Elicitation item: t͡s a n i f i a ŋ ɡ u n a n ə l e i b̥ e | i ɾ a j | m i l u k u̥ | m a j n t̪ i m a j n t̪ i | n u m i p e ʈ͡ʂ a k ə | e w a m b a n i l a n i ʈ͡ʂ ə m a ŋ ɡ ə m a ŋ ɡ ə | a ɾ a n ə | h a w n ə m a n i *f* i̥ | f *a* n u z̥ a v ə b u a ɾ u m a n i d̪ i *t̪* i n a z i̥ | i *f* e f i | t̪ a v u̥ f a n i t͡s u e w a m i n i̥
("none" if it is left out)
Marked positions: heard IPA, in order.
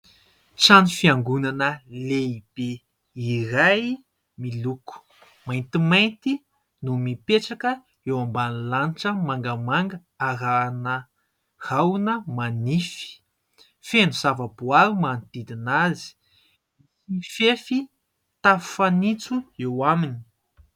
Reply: f, e, d̪, f

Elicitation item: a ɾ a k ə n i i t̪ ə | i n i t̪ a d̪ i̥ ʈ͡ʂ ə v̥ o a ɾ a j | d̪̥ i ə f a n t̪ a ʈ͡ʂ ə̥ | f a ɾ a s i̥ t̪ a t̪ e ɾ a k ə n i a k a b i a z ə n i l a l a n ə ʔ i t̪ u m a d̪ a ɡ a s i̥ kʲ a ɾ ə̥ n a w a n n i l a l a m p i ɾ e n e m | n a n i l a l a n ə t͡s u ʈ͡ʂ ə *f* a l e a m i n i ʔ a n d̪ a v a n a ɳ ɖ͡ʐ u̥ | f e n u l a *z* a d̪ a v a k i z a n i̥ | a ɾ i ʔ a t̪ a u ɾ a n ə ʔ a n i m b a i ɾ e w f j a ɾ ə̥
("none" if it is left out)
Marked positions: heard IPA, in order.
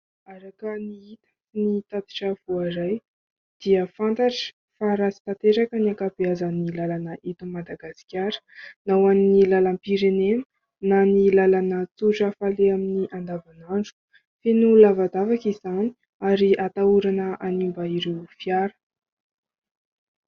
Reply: f, v

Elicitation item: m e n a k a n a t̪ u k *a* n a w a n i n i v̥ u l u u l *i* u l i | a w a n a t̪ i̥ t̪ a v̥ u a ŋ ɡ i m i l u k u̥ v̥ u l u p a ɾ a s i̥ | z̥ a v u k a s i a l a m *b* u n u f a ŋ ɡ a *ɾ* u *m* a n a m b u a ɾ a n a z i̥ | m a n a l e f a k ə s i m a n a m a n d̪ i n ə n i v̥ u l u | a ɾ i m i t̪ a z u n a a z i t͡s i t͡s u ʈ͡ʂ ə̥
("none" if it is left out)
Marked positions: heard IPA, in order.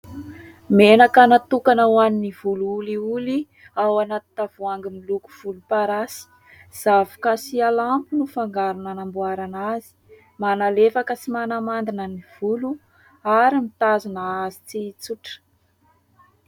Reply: a, i, p, ɾ, n

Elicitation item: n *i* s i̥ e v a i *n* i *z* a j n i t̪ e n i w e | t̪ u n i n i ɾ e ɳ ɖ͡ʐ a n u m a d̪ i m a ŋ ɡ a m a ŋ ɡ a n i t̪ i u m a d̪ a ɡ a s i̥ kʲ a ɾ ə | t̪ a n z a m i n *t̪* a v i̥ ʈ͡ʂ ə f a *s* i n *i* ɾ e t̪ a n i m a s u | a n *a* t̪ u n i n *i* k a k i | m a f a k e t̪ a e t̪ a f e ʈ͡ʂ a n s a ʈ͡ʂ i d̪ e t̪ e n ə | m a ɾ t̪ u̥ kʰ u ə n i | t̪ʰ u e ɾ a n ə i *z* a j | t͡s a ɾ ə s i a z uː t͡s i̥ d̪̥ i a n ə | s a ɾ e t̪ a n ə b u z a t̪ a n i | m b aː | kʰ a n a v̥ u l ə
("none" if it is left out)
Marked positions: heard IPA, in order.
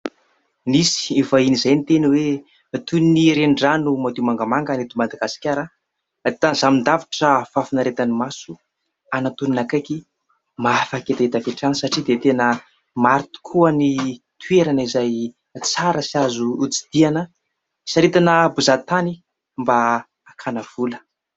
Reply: i, n, z, d̪, f, a, a, a, z

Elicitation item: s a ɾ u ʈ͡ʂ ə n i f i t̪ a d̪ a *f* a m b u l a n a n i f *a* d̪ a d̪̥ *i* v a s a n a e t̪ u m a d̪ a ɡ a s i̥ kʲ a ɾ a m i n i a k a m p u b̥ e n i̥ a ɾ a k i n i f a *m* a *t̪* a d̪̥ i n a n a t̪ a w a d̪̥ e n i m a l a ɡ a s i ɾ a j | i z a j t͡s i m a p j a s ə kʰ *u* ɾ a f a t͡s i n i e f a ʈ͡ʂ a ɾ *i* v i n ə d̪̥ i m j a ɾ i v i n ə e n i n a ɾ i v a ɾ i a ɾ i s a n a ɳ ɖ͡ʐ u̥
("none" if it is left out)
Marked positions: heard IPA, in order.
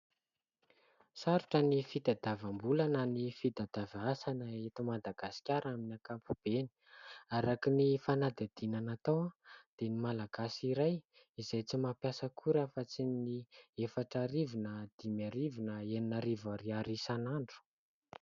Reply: v, i, a, n, d̪, u, i

